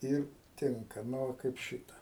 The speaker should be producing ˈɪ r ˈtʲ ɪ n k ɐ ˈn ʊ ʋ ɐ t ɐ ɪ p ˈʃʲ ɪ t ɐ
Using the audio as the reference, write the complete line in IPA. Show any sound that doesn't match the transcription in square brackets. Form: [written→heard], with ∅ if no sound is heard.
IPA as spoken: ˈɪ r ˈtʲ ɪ [n→ŋ] k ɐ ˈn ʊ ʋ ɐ [t→k] ɐ ɪ p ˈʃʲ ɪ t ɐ

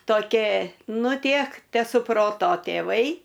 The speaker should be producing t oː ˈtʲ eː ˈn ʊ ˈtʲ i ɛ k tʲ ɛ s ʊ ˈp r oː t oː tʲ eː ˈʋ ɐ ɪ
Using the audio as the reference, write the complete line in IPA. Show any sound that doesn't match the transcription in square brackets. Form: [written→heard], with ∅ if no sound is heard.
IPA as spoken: t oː [ˈtʲ→ˈkʲ] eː ˈn ʊ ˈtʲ i ɛ k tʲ ɛ s ʊ ˈp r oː t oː tʲ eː ˈʋ ɐ ɪ

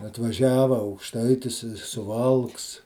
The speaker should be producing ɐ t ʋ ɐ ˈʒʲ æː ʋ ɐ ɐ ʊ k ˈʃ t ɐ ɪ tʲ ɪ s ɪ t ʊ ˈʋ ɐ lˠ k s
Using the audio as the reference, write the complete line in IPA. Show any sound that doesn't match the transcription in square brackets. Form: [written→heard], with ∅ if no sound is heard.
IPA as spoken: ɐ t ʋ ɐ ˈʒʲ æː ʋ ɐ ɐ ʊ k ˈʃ t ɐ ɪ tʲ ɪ s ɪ [t→s] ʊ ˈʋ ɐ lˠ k s

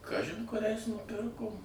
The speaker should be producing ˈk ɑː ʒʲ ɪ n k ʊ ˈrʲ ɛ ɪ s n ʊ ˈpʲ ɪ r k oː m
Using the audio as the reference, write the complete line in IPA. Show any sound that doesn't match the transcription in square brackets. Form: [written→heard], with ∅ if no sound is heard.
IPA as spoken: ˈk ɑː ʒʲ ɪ n k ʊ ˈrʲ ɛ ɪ s n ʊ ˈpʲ ɪ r k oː m

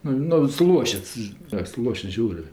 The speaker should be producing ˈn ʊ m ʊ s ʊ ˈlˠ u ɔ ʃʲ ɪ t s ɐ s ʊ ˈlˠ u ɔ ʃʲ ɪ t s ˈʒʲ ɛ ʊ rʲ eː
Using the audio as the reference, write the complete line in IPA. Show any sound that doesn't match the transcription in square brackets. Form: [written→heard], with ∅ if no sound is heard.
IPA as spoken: ˈn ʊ [m→n] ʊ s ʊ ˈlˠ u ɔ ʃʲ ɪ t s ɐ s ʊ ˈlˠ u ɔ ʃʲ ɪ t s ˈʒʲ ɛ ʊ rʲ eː

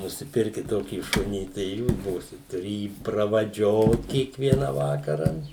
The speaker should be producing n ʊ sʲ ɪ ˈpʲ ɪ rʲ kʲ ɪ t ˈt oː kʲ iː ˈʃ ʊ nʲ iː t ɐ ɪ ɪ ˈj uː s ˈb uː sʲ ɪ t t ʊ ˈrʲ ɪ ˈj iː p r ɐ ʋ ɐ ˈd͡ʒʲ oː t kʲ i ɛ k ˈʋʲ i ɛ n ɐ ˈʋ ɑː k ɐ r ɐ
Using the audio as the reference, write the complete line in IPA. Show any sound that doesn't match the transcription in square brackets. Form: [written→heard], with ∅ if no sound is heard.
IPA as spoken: n ʊ sʲ ɪ ˈpʲ ɪ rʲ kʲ ɪ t ˈt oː kʲ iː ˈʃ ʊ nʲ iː t ɐ ɪ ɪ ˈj uː s ˈb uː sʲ ɪ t t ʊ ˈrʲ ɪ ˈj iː p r ɐ ʋ ɐ ˈd͡ʒʲ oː t kʲ i ɛ k ˈʋʲ i ɛ n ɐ ˈʋ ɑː k ɐ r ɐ

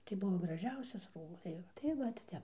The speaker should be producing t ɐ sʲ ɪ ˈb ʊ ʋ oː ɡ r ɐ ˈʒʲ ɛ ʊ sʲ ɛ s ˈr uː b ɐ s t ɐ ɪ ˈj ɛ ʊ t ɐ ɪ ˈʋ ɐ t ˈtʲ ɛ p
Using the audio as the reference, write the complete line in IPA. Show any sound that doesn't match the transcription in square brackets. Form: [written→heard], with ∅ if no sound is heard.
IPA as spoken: t ɐ [sʲ→∅] ɪ ˈb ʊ ʋ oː ɡ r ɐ ˈʒʲ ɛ ʊ sʲ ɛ s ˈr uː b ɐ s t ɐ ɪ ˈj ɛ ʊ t ɐ ɪ ˈʋ ɐ t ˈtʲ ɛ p

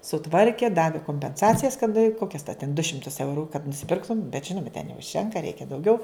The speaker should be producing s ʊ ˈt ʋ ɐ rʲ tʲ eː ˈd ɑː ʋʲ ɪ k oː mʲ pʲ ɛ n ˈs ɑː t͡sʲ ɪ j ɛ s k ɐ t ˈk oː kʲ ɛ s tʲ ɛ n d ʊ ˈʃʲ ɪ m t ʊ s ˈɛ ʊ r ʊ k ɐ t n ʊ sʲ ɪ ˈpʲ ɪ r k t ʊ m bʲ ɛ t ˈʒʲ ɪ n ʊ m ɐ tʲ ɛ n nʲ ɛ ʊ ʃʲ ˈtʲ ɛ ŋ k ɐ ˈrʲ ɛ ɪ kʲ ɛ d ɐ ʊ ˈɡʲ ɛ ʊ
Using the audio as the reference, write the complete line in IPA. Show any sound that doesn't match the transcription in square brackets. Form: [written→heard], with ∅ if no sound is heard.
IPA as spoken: s ʊ ˈt ʋ ɐ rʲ [tʲ→kʲ] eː ˈd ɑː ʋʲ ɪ k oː mʲ pʲ ɛ n ˈs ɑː t͡sʲ ɪ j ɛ s k ɐ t ˈk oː kʲ ɛ s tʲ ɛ n d ʊ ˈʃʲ ɪ m t ʊ s ˈɛ ʊ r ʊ k ɐ t n ʊ sʲ ɪ ˈpʲ ɪ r k t ʊ m bʲ ɛ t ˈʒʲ ɪ n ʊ m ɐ tʲ ɛ n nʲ ɛ ʊ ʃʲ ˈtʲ ɛ ŋ k ɐ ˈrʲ ɛ ɪ kʲ ɛ d ɐ ʊ ˈɡʲ ɛ ʊ

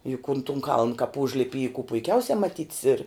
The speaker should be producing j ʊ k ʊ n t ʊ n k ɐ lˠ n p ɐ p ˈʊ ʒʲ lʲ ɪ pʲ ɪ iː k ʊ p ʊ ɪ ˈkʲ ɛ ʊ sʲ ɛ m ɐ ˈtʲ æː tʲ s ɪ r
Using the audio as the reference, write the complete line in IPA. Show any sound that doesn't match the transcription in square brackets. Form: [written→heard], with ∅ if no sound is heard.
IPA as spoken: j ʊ k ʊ n t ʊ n k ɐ lˠ n [p→k] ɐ p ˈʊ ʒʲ lʲ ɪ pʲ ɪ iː k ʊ p ʊ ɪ ˈkʲ ɛ ʊ sʲ ɛ m ɐ ˈtʲ [æː→iː] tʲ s ɪ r

